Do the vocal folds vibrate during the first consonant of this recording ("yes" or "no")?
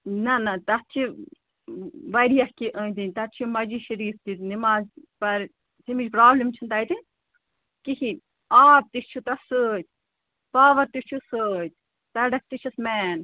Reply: yes